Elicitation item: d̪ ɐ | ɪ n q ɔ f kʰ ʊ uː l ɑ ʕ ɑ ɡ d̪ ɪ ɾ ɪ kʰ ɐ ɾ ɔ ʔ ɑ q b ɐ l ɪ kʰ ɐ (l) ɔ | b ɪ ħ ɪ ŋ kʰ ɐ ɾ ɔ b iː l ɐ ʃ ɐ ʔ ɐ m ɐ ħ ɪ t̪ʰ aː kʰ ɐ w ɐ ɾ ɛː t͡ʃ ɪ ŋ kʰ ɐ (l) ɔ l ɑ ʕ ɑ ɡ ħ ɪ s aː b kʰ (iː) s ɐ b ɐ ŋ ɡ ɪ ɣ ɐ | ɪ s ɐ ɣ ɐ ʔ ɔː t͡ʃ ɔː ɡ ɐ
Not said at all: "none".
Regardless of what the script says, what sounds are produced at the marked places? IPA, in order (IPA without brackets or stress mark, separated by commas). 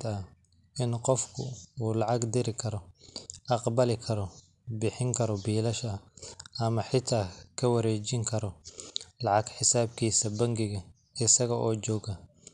ɾ, ɾ, iː